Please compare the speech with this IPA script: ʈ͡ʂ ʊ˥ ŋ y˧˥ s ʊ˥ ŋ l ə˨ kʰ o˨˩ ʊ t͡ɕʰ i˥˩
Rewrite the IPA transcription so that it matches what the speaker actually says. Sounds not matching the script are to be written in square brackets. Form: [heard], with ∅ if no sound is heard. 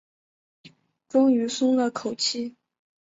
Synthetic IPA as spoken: ʈ͡ʂ ʊ˥ ŋ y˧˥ s ʊ˥ ŋ l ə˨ kʰ o˨˩ ʊ t͡ɕʰ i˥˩